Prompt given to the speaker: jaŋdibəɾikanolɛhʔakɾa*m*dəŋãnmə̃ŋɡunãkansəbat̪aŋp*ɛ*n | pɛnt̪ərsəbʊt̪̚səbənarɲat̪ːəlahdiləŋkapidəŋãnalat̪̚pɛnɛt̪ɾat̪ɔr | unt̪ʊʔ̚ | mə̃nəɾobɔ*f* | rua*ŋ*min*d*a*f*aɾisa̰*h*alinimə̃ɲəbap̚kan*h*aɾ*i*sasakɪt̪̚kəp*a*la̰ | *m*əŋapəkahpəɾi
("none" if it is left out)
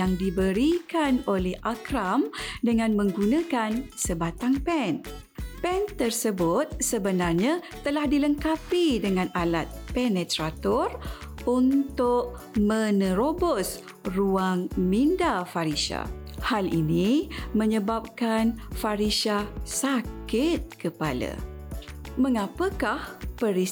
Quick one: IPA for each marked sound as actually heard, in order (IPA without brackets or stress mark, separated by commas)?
m, ɛ, s, ŋ, d, f, h, f, i, a, m